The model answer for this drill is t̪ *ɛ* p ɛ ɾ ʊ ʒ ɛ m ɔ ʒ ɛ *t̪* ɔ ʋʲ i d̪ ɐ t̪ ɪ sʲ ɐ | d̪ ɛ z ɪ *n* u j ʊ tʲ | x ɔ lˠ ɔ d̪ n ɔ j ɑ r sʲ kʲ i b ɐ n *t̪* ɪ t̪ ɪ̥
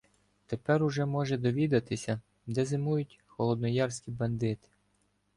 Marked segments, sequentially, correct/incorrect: incorrect, incorrect, incorrect, incorrect

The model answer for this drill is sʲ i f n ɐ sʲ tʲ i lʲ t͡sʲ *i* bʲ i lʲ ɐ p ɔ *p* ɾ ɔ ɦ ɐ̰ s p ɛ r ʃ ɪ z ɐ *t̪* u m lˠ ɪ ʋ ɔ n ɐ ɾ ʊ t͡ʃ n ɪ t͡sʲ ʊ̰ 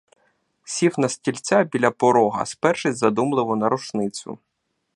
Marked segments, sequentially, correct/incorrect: incorrect, incorrect, incorrect

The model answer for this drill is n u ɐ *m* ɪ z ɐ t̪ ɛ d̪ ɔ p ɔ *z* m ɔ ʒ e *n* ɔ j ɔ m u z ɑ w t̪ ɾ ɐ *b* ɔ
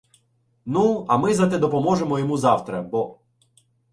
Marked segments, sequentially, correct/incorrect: correct, incorrect, incorrect, correct

